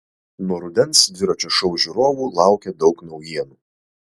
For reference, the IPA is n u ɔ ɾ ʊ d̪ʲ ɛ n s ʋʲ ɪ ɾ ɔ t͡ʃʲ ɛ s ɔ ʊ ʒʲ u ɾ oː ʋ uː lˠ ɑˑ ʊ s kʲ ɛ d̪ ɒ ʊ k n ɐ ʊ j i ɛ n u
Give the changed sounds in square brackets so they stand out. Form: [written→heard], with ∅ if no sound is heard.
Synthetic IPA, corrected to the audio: n u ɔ ɾ ʊ d̪ʲ ɛ n s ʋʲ ɪ ɾ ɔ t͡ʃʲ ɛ [s→ʃ] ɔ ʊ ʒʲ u ɾ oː ʋ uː lˠ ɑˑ ʊ [s→∅] kʲ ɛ d̪ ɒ ʊ k n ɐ ʊ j i ɛ n u